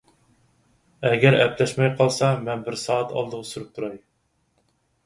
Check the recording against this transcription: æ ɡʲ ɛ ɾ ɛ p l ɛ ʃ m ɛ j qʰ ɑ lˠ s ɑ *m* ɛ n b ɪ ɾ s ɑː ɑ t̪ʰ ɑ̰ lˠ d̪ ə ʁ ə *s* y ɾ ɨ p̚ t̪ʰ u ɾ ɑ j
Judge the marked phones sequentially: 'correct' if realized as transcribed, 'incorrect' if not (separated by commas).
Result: correct, correct